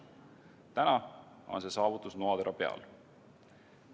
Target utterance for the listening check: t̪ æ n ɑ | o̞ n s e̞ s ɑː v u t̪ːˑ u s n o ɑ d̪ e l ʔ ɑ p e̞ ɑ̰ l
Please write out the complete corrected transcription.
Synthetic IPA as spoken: t̪ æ n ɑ | o̞ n s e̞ s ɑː v u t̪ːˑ u s n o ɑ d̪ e ɾ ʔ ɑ p e̞ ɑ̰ l

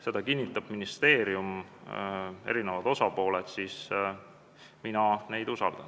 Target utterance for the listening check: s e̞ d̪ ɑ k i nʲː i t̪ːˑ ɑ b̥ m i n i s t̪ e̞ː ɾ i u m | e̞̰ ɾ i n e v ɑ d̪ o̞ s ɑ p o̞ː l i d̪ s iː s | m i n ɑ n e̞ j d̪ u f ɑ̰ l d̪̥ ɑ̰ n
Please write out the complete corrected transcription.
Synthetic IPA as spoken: s e̞ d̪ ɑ k i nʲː i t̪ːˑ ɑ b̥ m i n i s t̪ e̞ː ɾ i u m | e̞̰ ɾ i n e v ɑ d̪ o̞ s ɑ p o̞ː l e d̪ s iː s | m i n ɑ n e̞ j d̪ u s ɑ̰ l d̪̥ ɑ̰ n

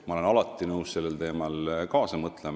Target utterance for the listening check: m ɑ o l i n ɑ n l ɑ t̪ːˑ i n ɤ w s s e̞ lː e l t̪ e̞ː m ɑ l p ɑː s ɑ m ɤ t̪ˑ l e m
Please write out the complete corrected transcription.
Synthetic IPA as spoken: m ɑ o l e n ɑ l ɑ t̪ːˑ i n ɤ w s s e̞ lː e l t̪ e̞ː m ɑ l k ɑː s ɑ m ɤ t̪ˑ l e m

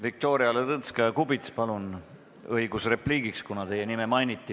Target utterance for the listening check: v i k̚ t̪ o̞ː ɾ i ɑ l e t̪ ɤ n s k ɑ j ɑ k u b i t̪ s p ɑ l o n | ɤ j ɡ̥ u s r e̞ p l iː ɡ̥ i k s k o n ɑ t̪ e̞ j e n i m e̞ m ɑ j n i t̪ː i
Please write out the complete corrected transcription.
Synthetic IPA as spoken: v i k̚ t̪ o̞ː ɾ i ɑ l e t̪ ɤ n s k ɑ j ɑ k u b i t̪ s p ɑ l u n | ɤ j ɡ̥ u s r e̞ p l iː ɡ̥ i k s k u n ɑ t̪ e̞ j e n i m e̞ m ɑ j n i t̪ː i

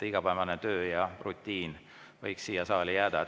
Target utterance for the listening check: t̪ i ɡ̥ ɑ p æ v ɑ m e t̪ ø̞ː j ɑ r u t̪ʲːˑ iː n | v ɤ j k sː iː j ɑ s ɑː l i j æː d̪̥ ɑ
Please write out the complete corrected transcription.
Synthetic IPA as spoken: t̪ i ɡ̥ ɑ p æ v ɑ n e t̪ ø̞ː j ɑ r u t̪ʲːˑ iː n | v ɤ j k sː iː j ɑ s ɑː l i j æː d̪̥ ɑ

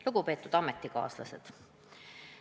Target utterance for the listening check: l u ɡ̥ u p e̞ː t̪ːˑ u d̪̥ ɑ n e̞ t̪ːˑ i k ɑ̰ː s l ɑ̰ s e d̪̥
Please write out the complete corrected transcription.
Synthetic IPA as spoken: l u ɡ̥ u p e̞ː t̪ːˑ u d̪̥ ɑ m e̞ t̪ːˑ i k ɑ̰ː s l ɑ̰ s e d̪̥

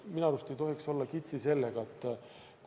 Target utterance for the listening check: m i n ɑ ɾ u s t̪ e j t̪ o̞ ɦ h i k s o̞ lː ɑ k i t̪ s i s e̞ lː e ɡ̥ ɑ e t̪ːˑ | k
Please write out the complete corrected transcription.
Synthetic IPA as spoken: m i n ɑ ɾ u s t̪ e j t̪ o̞ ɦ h i k s o̞ lː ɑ k i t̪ s i s e̞ lː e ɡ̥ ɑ e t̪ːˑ | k

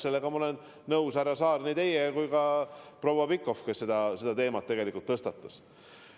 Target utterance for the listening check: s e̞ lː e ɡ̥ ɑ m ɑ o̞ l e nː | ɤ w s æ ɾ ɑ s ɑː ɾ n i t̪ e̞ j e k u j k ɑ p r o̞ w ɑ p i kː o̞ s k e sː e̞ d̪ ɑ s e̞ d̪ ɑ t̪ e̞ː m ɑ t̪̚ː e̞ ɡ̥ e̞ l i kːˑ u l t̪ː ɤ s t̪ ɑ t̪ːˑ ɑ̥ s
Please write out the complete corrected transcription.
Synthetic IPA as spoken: s e̞ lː e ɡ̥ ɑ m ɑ o̞ l e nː | ɤ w s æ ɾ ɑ s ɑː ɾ n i t̪ e̞ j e k u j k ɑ p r o̞ w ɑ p i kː o̞ f k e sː e̞ d̪ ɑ s e̞ d̪ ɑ t̪ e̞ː m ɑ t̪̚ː e̞ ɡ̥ e̞ l i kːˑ u l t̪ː ɤ s t̪ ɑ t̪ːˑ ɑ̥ s

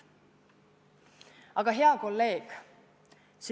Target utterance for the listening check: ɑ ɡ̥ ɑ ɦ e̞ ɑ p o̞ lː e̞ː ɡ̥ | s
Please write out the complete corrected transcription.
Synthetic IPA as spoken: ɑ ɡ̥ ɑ ɦ e̞ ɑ k o̞ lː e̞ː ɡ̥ | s

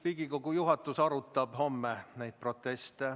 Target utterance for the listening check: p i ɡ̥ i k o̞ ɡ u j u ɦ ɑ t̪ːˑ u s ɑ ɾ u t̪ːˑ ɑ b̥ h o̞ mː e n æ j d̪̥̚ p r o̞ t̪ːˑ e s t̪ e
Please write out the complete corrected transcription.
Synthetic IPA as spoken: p i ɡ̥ i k o̞ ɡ u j u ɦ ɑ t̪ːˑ u s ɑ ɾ u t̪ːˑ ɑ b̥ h o̞ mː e n æ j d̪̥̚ p r o̞ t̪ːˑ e s t̪ e

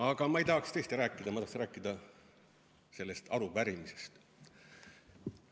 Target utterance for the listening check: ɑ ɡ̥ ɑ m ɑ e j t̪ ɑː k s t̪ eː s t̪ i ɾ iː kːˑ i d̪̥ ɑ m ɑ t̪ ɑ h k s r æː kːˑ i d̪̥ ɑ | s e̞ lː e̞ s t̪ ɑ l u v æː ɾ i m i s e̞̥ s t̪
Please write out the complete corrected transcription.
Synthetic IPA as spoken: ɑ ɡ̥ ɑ m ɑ e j t̪ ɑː k s t̪ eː s t̪ i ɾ æː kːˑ i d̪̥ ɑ m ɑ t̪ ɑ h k s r æː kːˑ i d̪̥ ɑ | s e̞ lː e̞ s t̪ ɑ ɾ u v æ ɾ i m i s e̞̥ s t̪

